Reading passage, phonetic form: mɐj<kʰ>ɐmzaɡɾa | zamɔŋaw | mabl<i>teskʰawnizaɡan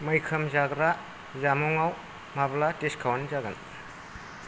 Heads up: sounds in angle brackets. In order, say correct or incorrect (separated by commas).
correct, incorrect